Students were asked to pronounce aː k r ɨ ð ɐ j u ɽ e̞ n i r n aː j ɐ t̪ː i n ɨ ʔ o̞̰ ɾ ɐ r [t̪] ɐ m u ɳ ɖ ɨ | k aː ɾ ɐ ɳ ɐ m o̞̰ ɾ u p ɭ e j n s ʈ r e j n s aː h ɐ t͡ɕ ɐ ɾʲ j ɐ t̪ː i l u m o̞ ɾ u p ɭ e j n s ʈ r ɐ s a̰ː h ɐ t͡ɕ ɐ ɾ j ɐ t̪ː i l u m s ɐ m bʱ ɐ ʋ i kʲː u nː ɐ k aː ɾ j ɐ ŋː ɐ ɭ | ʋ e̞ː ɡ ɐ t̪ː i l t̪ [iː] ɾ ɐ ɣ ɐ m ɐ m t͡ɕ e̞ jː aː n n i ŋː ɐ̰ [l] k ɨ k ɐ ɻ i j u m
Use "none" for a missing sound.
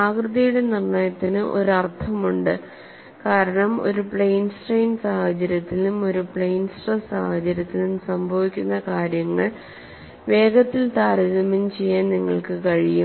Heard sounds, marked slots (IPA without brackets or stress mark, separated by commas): t̪ʰ, aː, ɭ